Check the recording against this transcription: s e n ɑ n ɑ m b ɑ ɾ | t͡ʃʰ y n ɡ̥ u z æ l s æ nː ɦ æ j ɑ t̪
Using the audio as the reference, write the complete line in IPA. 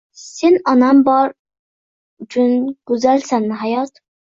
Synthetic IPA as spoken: s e n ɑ n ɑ m b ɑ ɾ | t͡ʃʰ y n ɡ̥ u z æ l s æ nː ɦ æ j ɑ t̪